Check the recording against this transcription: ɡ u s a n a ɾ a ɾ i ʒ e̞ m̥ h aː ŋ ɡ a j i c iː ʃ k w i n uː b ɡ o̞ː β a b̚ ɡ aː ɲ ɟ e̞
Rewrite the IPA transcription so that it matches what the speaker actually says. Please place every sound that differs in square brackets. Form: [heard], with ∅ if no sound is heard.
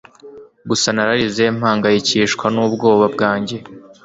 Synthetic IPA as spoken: ɡ u s a n a ɾ a ɾ i [z] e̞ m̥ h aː ŋ ɡ a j i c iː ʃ k w [a] n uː b ɡ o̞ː β a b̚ ɡ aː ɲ ɟ e̞

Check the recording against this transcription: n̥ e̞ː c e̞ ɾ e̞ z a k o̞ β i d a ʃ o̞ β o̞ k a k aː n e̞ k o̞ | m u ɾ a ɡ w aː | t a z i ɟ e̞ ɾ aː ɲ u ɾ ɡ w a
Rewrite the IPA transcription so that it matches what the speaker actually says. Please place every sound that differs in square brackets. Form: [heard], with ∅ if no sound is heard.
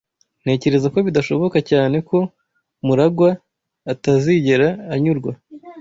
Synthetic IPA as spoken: n̥ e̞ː c e̞ ɾ e̞ z a k o̞ β i d a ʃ o̞ β o̞ k a [c] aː n e̞ k o̞ | m u ɾ a ɡ w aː | t a z i ɟ e̞ ɾ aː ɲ u ɾ ɡ w a

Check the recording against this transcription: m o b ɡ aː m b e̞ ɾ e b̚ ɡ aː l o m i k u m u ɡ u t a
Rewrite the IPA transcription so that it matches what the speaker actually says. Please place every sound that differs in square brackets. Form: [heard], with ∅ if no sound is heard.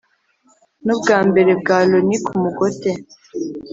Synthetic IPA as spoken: [n] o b ɡ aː m b e̞ ɾ e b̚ ɡ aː l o [n] i k u m u ɡ [o] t [e]

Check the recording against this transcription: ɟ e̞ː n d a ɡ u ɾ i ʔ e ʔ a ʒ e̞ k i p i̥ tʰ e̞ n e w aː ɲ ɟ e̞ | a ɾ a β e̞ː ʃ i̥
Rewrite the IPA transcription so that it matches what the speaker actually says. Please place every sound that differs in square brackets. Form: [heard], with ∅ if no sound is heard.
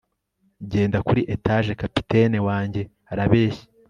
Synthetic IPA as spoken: ɟ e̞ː n d a [k] u ɾ i ʔ e [t] a ʒ e̞ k [a] p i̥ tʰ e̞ n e w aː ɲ ɟ e̞ | a ɾ a β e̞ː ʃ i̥

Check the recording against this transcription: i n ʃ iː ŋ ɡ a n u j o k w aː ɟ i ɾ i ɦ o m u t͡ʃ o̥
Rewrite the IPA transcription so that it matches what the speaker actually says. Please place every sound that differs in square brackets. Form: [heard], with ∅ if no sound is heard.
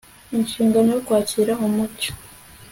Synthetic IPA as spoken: i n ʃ iː ŋ ɡ a n [o] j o k w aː [c] i ɾ [a] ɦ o m u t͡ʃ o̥

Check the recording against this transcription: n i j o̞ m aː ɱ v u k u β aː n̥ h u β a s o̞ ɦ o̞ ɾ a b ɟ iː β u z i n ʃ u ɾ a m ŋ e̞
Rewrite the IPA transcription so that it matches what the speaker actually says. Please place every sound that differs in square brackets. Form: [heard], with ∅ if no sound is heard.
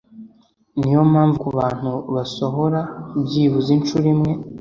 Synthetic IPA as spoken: n i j o̞ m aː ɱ v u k u β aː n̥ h u β a s o̞ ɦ o̞ ɾ a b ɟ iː β u z i n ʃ u ɾ [i] m ŋ e̞

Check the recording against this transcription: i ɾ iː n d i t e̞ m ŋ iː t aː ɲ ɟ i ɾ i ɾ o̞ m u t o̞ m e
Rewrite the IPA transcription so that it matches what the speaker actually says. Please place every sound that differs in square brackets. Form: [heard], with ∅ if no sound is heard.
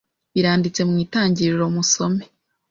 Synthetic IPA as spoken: i ɾ [aː] n d i [t͡s] e̞ m ŋ iː t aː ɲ ɟ i ɾ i ɾ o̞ m u [s] o̞ m e

